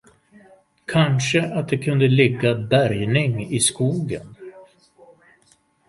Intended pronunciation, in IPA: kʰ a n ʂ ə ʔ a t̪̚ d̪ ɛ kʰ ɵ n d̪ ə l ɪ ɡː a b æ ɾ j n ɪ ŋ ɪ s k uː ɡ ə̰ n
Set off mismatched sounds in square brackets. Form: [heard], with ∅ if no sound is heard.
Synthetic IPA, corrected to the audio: kʰ a n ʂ ə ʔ a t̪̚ d̪ ɛ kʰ ɵ n d̪ ə l ɪ ɡː a b æ ɾ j n ɪ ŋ ɪ s k uː ɡ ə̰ n